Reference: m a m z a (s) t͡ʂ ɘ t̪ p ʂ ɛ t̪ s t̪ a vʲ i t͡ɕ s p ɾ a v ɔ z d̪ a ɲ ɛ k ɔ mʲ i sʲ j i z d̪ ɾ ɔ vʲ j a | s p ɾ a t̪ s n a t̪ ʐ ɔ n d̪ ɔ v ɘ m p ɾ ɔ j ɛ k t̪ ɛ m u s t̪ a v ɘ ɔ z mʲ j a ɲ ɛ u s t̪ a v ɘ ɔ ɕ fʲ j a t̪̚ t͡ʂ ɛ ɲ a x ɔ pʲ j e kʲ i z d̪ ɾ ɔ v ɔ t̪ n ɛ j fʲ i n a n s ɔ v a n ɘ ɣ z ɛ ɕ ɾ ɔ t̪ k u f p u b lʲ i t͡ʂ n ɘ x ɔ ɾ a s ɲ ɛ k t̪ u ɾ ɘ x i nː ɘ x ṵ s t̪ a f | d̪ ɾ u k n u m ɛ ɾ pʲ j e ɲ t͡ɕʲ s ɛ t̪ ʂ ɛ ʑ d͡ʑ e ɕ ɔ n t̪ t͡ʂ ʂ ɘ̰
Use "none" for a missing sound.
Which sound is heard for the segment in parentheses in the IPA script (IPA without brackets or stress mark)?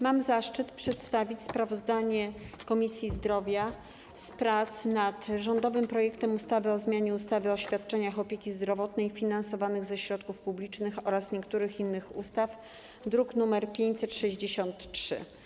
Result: ʂ